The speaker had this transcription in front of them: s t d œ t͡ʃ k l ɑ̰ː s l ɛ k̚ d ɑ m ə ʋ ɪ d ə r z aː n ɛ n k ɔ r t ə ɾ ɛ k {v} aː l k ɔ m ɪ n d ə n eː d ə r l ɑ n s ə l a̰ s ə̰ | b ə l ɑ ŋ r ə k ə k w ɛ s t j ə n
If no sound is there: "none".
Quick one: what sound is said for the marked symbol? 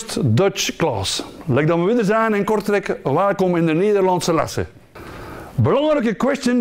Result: ʋ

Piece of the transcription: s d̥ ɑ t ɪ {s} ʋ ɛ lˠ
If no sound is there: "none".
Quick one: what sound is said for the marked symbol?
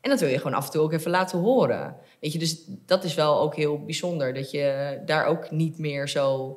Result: s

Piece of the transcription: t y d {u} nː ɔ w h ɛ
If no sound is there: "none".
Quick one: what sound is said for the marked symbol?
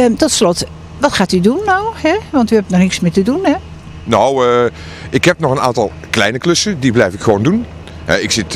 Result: u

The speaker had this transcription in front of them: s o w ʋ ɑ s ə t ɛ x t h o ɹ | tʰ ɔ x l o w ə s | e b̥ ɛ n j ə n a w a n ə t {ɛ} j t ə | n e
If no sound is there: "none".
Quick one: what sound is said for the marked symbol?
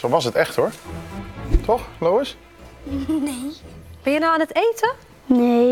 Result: e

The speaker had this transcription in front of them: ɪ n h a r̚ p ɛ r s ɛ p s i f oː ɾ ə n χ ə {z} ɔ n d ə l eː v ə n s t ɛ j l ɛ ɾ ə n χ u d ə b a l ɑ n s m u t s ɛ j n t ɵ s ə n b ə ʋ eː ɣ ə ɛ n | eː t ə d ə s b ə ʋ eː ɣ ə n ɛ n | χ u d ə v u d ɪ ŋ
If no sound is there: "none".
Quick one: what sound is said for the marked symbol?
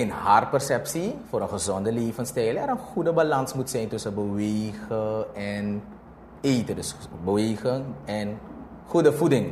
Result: z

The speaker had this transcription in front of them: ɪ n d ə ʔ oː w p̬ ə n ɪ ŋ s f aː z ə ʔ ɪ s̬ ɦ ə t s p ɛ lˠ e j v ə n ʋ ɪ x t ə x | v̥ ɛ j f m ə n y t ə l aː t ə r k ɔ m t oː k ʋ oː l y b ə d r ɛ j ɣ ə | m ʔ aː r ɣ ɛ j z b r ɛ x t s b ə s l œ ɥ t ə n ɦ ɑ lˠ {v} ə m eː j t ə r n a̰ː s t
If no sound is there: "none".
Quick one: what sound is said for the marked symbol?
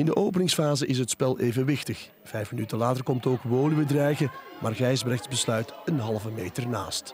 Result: v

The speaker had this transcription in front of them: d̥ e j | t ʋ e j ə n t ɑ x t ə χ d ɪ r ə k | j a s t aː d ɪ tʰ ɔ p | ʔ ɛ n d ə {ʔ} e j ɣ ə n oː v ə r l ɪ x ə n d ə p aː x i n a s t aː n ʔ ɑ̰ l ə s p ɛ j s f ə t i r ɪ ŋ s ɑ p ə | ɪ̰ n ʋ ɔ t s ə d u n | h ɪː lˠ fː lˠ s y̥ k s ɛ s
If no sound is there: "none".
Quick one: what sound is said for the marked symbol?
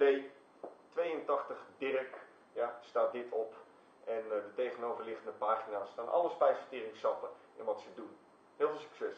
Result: t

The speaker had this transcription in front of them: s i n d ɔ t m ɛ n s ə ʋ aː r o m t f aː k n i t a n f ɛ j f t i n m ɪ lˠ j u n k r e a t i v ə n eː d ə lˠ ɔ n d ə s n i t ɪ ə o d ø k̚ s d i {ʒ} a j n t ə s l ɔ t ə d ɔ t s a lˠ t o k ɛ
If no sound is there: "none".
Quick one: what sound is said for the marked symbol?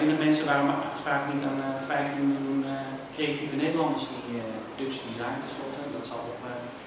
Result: z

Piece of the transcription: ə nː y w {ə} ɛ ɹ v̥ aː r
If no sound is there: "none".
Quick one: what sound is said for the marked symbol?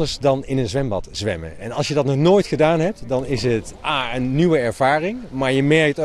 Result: ə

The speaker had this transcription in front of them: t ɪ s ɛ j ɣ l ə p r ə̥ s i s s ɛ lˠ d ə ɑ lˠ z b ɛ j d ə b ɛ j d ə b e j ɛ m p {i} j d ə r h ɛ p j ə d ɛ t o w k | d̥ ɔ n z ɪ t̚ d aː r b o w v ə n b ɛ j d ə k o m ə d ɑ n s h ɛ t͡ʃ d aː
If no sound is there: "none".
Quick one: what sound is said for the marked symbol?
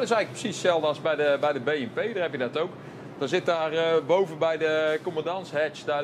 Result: e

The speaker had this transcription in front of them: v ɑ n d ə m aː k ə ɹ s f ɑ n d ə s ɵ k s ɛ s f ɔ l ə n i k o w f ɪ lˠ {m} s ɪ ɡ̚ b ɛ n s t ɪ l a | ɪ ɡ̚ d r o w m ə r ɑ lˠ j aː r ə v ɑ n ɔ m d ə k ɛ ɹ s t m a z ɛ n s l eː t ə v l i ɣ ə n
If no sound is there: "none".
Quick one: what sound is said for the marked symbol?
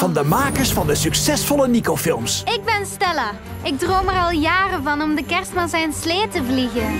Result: m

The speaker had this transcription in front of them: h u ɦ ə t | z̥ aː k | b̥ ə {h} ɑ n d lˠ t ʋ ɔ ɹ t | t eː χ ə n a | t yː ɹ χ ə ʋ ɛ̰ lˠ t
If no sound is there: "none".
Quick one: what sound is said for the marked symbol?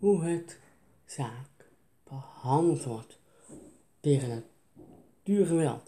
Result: h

